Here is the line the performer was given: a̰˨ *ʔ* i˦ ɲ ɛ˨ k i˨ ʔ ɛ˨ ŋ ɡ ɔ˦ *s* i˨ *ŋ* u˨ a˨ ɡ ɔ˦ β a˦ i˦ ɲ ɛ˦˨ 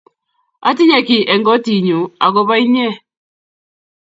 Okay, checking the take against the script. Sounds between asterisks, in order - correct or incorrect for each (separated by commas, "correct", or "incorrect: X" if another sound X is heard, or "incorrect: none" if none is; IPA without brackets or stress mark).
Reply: incorrect: t, incorrect: t, incorrect: ɲ